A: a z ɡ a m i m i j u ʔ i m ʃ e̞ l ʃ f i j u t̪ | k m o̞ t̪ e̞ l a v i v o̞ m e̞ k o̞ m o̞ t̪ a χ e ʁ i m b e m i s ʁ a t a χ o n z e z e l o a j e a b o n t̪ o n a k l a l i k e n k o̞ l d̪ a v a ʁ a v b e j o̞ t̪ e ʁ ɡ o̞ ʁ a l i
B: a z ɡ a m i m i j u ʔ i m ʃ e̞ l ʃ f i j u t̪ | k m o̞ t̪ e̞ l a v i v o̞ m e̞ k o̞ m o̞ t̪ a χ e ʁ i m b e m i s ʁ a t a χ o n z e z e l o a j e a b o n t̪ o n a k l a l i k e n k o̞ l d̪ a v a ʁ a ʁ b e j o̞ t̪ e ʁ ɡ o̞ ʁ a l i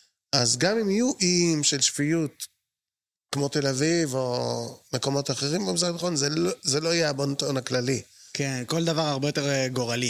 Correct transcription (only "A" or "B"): B